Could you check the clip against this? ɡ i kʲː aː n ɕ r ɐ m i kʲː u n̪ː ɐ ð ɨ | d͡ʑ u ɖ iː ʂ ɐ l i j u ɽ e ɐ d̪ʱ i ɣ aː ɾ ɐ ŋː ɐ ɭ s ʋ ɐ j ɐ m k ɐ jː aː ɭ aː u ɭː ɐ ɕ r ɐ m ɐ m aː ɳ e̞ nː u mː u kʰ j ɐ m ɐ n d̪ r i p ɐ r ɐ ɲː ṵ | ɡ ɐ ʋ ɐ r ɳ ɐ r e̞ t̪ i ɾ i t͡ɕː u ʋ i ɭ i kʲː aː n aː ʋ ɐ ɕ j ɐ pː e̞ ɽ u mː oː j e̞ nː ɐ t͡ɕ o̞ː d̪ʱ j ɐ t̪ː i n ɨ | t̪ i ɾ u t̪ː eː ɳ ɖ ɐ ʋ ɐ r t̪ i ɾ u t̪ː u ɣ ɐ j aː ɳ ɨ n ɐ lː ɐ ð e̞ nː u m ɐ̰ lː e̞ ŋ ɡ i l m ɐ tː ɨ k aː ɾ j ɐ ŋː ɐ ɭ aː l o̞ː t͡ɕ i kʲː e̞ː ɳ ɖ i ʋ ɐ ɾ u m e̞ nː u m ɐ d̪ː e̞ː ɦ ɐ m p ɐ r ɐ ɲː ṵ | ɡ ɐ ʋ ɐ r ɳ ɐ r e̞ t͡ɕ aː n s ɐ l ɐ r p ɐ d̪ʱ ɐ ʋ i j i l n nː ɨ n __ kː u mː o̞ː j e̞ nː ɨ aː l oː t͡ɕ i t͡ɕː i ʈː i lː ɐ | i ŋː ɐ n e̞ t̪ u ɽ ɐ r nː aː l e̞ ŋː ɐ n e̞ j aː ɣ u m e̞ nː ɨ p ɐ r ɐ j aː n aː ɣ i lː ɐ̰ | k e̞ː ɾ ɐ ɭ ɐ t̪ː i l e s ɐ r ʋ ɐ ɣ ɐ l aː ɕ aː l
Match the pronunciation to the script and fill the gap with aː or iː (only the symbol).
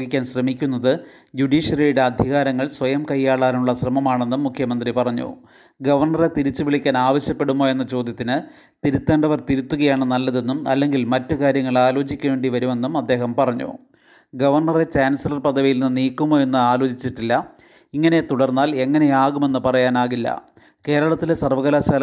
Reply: iː